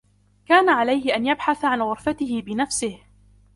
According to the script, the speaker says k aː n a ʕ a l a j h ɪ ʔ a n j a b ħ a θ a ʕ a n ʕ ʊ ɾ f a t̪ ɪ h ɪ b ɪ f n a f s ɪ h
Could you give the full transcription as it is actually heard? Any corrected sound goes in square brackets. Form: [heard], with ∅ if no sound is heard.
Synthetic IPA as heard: k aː n a ʕ a l a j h ɪ ʔ a n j a b ħ a θ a ʕ a n [ɣ] ʊ ɾ f a t̪ ɪ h ɪ b ɪ [∅] n a f s ɪ h